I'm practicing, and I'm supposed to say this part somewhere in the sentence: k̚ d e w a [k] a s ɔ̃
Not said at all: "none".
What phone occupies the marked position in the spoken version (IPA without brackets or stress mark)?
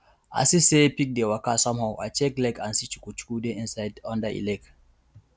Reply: k